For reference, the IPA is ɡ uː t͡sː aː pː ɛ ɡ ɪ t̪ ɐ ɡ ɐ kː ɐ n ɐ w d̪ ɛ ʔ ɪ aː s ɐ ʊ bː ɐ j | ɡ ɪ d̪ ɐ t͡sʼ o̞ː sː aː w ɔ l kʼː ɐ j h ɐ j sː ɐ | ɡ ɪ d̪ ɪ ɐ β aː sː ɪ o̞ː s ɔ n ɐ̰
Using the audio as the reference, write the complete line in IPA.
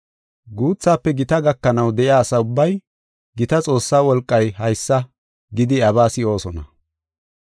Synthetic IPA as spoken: ɡ uː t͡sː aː pː ɛ ɡ ɪ t̪ ɐ ɡ ɐ kː ɐ n ɐ w d̪ ɛ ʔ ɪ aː s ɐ ʊ bː ɐ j | ɡ ɪ t̪ ɐ t͡sʼ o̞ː sː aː w ɔ l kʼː ɐ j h ɐ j sː ɐ | ɡ ɪ d̪ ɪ ɐ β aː s ɪ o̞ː s ɔ n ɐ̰